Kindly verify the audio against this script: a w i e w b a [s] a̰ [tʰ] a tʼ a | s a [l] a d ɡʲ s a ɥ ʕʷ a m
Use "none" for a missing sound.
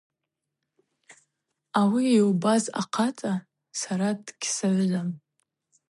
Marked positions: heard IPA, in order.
z, qʰ, ɾ

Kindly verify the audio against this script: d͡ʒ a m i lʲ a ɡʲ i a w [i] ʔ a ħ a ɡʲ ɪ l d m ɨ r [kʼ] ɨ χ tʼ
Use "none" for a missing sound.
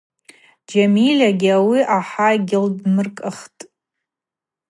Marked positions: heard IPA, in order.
i, kʼ

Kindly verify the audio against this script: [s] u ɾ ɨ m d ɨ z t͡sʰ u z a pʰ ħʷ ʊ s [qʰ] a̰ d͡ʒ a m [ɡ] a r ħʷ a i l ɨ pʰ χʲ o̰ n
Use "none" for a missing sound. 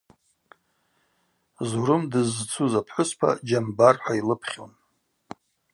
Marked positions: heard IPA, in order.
z, pʰ, b

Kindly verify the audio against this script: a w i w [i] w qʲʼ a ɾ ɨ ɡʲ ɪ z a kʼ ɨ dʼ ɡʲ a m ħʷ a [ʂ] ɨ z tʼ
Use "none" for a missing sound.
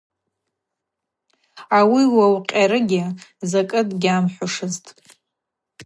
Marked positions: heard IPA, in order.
a, ʂ

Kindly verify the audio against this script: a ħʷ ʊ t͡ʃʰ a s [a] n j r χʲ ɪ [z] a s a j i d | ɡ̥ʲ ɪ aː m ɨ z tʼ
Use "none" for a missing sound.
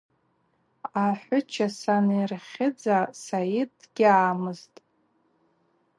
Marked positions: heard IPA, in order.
a, d͡z

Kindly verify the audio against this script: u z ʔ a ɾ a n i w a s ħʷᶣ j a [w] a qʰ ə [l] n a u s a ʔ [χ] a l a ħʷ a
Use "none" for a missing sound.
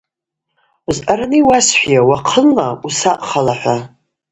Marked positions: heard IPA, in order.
w, l, χ

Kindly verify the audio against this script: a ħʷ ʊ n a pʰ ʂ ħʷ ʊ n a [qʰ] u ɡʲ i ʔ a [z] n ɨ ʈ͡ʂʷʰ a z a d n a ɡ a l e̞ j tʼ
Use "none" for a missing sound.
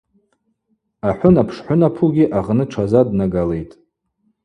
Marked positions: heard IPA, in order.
pʰ, ʁ

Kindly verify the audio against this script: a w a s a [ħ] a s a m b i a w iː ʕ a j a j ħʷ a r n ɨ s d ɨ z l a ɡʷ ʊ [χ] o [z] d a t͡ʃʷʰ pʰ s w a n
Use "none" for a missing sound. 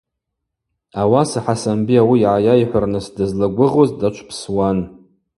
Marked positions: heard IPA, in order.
ħ, ʁ, z

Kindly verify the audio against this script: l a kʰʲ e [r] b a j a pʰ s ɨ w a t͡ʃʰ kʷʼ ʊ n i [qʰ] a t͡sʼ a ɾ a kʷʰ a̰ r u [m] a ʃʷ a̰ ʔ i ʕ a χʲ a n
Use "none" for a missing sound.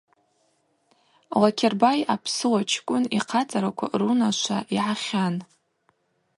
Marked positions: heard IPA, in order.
r, qʰ, n

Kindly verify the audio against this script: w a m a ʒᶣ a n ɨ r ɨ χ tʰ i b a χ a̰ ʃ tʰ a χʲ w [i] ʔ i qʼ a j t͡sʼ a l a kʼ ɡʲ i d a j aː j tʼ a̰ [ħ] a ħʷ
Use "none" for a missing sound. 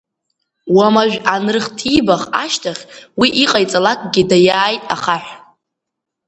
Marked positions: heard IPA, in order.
i, χ

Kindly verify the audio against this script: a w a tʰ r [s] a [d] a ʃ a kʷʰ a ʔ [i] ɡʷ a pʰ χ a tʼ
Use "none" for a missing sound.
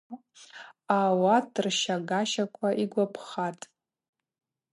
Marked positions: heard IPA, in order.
ʃ, ɡ, i

